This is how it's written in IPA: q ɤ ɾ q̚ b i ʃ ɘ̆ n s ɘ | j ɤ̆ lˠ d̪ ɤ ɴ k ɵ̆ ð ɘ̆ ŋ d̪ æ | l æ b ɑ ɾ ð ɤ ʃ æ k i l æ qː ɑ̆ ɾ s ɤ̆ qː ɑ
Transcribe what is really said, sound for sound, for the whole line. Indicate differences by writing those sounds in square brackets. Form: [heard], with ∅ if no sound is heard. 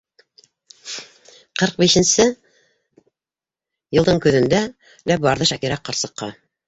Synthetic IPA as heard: q ɤ ɾ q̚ b i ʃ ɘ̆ n s ɘ | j ɤ̆ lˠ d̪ ɤ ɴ k ɵ̆ ð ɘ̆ [n] d̪ æ | l æ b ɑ ɾ ð ɤ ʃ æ k i [ɾ] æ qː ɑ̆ ɾ s ɤ̆ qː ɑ

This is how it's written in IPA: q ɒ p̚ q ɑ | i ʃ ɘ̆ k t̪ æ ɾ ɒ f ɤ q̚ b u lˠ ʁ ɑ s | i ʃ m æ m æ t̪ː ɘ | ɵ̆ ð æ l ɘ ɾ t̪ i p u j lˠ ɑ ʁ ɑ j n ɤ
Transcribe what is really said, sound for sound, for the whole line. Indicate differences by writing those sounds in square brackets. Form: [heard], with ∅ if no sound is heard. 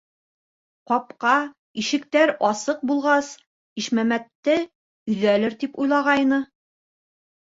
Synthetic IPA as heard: q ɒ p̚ q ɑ | i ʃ ɘ̆ k t̪ æ ɾ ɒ [s] ɤ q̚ b u lˠ ʁ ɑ s | i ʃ m æ m æ t̪ː ɘ | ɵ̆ ð æ l ɘ ɾ t̪ i p u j lˠ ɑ ʁ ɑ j n ɤ

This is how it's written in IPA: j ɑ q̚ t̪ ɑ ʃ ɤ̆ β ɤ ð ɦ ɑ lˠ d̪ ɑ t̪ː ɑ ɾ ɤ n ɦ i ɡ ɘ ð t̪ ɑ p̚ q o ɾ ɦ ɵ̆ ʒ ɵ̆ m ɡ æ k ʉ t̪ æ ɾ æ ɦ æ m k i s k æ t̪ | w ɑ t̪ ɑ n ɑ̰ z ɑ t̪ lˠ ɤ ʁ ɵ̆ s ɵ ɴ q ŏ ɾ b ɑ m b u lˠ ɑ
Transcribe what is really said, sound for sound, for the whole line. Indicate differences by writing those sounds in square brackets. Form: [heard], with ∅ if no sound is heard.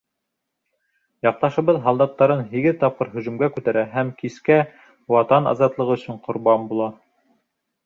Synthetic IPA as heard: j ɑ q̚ t̪ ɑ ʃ ɤ̆ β ɤ ð ɦ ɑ lˠ d̪ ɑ t̪ː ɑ ɾ ɤ n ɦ i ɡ ɘ ð t̪ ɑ p̚ q [ɤ] ɾ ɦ ɵ̆ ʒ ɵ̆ m ɡ æ k ʉ t̪ æ ɾ æ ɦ æ m k i s k æ [∅] | w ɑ t̪ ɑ n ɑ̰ z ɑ t̪ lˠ ɤ ʁ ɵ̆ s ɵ ɴ q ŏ ɾ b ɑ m b u lˠ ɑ

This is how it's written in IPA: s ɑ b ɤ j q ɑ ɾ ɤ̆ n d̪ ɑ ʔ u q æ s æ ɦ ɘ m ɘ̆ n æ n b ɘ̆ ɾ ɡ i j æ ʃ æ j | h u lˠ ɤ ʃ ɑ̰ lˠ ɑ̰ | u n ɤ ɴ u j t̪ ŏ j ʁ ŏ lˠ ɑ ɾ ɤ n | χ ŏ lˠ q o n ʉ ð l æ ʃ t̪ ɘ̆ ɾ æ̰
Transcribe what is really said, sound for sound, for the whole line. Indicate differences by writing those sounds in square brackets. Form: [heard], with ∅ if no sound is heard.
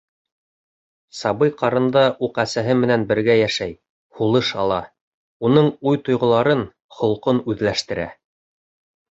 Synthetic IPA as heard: s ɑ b ɤ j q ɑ ɾ ɤ̆ n d̪ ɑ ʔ u q æ s æ ɦ ɘ m ɘ̆ n æ n b ɘ̆ ɾ ɡ [æ] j æ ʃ æ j | h u lˠ ɤ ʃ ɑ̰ lˠ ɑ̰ | u n ɤ ɴ u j t̪ ŏ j ʁ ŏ lˠ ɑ ɾ ɤ n | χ ŏ lˠ q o n ʉ ð l æ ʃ t̪ ɘ̆ ɾ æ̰

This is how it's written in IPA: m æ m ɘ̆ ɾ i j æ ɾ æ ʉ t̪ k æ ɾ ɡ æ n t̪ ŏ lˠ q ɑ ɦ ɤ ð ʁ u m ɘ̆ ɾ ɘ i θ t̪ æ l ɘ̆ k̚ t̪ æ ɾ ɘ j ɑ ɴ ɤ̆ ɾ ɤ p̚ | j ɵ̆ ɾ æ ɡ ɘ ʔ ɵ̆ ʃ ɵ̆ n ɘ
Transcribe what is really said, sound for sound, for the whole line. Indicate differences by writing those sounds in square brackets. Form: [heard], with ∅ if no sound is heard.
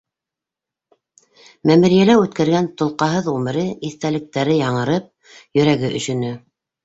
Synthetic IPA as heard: m æ m ɘ̆ ɾ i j æ [l] æ ʉ t̪ k æ ɾ ɡ æ n t̪ ŏ lˠ q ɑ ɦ ɤ ð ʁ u m ɘ̆ ɾ ɘ i θ t̪ æ l ɘ̆ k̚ t̪ æ ɾ ɘ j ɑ ɴ ɤ̆ ɾ ɤ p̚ | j ɵ̆ ɾ æ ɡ ɘ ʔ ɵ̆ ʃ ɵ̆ n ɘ

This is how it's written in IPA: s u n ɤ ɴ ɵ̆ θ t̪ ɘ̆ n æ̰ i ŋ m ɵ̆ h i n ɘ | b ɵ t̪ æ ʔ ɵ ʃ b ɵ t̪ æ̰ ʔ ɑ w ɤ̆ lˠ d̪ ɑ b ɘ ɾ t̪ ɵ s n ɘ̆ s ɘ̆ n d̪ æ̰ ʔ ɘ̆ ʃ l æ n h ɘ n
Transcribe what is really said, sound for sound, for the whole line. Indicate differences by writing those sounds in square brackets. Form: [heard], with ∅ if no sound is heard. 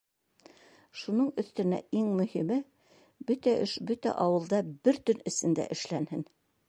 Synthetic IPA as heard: [ʃ] u n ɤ ɴ ɵ̆ θ t̪ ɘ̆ n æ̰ i ŋ m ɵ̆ h i [m] ɘ | b ɵ t̪ æ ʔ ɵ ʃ b ɵ t̪ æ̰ ʔ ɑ w ɤ̆ lˠ d̪ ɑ b ɘ ɾ t̪ ɵ [∅] n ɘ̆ s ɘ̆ n d̪ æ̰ ʔ ɘ̆ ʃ l æ n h ɘ n

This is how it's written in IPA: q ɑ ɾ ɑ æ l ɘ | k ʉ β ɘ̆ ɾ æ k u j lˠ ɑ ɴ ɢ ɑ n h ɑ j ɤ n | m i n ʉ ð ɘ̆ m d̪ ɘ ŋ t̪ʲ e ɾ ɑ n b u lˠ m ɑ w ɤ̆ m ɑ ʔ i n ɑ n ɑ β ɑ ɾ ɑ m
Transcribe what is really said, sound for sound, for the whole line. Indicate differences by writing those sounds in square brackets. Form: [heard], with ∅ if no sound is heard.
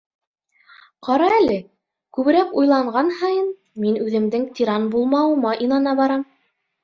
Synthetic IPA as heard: q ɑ ɾ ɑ æ l ɘ | k ʉ β ɘ̆ ɾ æ k u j lˠ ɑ ɴ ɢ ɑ n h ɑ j ɤ n | m i n ʉ ð ɘ̆ m d̪ ɘ ŋ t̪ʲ [i] ɾ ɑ n b u lˠ m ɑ w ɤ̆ m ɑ ʔ i n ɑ n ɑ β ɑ ɾ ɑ m

